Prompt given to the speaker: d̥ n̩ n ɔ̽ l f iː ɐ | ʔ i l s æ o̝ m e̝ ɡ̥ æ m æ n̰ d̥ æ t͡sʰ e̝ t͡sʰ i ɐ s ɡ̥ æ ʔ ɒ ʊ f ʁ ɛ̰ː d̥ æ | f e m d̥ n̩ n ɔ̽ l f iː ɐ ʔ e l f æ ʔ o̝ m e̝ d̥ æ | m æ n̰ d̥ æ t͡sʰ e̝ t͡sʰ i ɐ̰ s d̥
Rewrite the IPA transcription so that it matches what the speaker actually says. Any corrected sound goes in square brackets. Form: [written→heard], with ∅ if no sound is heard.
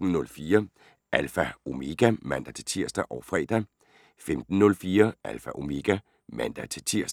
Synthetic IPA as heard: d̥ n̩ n ɔ̽ l f iː ɐ | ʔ [i→æ] l [s→f] æ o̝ m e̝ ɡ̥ æ m æ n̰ d̥ æ t͡sʰ e̝ t͡sʰ i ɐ s [ɡ̥→d̥] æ ʔ ɒ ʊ f ʁ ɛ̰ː d̥ æ | f e m d̥ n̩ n ɔ̽ l f iː ɐ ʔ [e→æ] l f æ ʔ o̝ m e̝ [d̥→ɡ̥] æ | m æ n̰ d̥ æ t͡sʰ e̝ t͡sʰ i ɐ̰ s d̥